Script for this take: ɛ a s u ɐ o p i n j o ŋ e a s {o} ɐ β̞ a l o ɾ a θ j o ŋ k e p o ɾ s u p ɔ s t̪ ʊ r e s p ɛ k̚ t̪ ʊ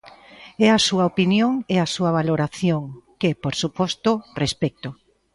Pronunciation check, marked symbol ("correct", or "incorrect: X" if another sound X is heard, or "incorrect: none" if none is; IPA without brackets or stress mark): incorrect: u